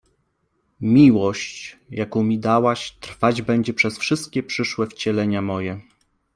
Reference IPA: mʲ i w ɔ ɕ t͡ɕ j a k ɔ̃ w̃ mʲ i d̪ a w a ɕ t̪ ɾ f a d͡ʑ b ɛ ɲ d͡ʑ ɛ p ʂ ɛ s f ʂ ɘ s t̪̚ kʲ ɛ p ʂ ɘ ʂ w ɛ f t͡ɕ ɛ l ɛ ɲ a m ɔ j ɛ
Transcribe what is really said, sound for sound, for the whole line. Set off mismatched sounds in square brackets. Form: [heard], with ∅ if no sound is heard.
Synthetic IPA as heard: mʲ i w ɔ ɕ t͡ɕ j a k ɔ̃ w̃ mʲ i d̪ a w a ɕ t̪ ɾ f a d͡ʑ b ɛ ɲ d͡ʑ ɛ p ʂ ɛ s f ʂ ɘ s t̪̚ kʲ ɛ p ʂ ɘ ʂ w ɛ f t͡ɕ ɛ l ɛ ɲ a m ɔ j ɛ